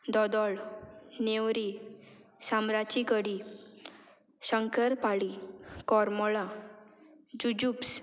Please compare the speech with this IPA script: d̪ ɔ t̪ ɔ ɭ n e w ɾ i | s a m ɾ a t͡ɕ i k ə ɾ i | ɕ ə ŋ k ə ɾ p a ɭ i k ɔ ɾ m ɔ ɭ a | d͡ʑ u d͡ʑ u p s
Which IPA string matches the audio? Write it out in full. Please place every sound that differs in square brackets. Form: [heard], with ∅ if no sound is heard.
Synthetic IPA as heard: d̪ ɔ [d̪] ɔ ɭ n e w ɾ i | s a m ɾ a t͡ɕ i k ə [ɽ] i | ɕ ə ŋ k ə ɾ p a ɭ i k ɔ ɾ m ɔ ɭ a | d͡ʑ u d͡ʑ u p s